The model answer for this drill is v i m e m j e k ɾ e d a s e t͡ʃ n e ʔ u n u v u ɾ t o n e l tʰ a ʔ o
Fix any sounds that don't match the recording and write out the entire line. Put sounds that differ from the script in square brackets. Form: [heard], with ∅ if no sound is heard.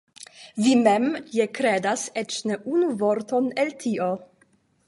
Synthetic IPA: v i m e m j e k ɾ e d a s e t͡ʃ n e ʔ u n u v [o] ɾ t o n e l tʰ [i] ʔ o